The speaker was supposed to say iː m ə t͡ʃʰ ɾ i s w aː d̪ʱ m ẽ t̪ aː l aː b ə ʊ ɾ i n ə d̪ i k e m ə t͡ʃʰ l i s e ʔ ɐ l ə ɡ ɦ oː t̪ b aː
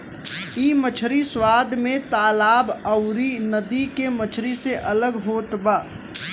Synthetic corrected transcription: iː m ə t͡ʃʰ ɾ i s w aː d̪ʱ m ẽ t̪ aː l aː b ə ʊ ɾ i n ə d̪ i k e m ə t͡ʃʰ ɾ i s e ʔ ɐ l ə ɡ ɦ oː t̪ b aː